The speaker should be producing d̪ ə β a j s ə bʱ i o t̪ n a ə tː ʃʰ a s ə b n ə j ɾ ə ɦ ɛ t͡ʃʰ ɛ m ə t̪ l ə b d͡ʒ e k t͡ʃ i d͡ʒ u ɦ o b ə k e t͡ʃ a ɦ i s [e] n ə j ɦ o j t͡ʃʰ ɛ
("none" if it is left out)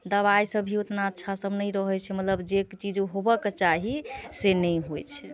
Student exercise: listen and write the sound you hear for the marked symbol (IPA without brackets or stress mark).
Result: e